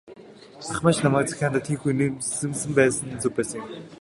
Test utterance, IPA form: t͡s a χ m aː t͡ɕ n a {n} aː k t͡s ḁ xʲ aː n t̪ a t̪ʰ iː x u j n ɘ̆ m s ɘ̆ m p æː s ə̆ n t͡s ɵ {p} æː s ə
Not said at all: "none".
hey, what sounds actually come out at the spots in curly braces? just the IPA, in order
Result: m, p

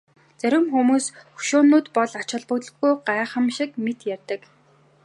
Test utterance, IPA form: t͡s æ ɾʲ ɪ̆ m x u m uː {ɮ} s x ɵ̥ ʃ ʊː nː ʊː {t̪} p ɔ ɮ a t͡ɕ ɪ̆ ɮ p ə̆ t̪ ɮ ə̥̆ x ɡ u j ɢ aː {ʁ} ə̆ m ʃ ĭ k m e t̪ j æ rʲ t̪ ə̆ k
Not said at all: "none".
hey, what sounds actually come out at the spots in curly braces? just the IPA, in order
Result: none, t̪, χ

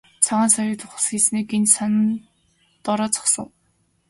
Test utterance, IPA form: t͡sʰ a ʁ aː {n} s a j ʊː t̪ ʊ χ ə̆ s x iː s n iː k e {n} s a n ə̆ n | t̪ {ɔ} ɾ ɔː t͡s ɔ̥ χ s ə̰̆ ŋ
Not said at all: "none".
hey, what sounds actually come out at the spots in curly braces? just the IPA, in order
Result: n, n, ɔ

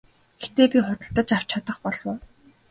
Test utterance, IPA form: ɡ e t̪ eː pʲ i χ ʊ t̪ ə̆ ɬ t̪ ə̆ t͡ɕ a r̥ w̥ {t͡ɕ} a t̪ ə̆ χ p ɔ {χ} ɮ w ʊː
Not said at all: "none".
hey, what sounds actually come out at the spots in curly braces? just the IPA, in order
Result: t͡ɕʰ, none

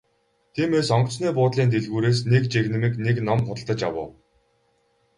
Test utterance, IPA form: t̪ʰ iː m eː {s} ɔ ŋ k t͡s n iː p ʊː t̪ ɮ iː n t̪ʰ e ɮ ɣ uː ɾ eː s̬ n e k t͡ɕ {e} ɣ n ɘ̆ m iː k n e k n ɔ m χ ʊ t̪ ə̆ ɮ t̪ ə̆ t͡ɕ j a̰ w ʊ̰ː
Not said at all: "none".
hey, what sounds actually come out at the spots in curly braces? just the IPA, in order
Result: s, e

